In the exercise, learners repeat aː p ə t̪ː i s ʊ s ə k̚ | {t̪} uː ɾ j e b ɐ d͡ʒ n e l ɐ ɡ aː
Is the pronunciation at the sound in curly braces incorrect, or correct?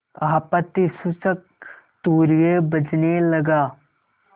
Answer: correct